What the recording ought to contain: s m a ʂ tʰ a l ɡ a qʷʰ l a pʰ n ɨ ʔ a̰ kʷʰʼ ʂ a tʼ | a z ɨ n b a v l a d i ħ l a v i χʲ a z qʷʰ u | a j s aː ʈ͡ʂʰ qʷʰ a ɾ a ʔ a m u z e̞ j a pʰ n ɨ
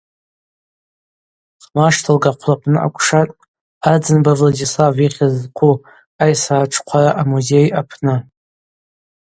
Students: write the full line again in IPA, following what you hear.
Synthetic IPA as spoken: χ m a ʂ tʰ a l ɡ a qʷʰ l a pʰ n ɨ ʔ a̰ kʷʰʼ ʂ a tʼ | a d͡z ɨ n b a v l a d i s l a v i χʲ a z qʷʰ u | a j s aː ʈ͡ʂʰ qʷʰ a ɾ a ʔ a m u z e̞ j a pʰ n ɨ